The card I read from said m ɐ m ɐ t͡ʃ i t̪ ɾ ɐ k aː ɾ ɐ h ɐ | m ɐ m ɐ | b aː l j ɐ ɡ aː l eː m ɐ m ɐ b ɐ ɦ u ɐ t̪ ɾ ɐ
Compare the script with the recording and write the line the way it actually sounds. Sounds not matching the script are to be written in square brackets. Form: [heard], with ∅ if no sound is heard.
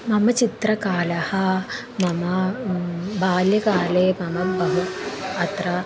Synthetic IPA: m ɐ m ɐ t͡ʃ i t̪ ɾ ɐ k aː [l] ɐ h ɐ | m ɐ m ɐ | b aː l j ɐ [k] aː l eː m ɐ m ɐ b ɐ ɦ u ɐ t̪ ɾ ɐ